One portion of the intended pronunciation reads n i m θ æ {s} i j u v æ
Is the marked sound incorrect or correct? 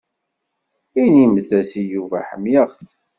correct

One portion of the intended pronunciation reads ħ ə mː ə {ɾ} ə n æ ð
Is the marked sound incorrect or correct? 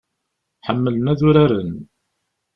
incorrect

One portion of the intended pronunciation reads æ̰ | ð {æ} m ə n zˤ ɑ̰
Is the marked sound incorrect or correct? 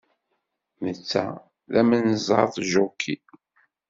correct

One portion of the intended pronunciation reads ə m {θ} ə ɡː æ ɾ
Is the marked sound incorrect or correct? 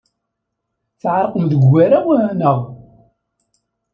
incorrect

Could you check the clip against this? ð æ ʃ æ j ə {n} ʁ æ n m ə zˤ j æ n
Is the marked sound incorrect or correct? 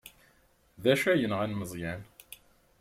correct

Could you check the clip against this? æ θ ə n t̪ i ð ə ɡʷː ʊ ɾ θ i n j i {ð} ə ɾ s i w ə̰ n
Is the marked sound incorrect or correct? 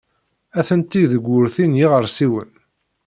incorrect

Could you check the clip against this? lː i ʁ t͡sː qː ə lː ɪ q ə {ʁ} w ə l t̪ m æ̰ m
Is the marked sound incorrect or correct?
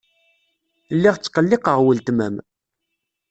correct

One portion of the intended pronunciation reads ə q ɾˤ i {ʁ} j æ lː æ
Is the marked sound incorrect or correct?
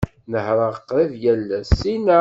incorrect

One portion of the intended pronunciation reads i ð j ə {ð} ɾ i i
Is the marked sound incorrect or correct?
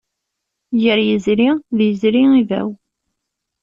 incorrect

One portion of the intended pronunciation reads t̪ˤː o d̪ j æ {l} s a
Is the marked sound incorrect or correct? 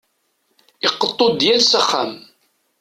correct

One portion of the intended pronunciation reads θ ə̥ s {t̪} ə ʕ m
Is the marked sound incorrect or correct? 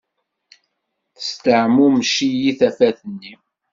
correct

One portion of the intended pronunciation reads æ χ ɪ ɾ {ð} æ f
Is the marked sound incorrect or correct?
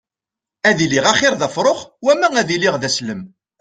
correct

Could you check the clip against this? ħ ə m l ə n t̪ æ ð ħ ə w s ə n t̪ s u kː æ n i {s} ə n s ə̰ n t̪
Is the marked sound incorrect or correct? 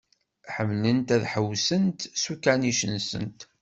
incorrect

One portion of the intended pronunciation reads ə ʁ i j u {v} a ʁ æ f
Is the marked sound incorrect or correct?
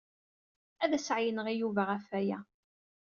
correct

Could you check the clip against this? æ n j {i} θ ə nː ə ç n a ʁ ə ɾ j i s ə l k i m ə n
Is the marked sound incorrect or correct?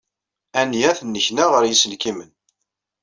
incorrect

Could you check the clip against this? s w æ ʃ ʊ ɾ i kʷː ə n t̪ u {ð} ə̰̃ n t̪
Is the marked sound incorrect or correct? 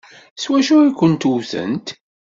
incorrect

